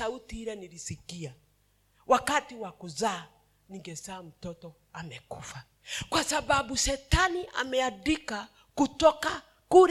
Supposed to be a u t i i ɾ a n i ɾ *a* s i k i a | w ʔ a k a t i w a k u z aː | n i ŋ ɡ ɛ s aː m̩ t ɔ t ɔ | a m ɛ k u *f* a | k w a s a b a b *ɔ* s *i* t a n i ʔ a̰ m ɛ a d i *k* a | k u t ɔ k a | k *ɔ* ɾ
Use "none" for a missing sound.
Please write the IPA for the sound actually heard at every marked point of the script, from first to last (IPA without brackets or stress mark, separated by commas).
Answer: i, f, u, ɛ, k, u